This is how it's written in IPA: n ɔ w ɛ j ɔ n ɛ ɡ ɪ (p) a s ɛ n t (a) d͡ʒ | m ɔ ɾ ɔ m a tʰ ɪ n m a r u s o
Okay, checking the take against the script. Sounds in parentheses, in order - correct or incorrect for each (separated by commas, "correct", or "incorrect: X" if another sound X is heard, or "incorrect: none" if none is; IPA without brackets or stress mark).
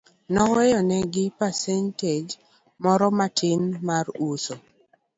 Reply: correct, incorrect: e